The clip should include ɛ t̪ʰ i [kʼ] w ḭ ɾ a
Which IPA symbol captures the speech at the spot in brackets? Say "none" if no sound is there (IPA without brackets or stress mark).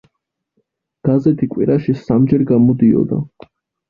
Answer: kʼ